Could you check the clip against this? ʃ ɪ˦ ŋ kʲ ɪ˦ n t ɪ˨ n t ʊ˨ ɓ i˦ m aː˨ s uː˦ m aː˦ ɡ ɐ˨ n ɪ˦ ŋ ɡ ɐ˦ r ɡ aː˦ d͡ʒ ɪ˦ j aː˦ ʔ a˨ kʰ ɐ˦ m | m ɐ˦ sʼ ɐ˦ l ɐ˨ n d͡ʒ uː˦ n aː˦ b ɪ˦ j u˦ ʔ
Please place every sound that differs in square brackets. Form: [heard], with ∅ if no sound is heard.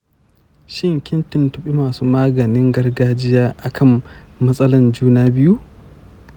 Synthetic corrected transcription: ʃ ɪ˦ ŋ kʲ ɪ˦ n t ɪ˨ n t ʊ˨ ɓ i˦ m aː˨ s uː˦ m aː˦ ɡ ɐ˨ n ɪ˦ ŋ ɡ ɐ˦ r ɡ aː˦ d͡ʒ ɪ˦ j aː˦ ʔ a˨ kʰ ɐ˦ m | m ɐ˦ sʼ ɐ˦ l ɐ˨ n d͡ʒ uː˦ n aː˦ b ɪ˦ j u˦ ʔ